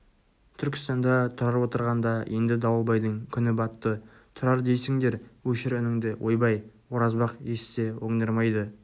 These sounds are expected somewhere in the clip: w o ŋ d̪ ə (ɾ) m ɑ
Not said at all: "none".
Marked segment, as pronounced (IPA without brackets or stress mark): ɾ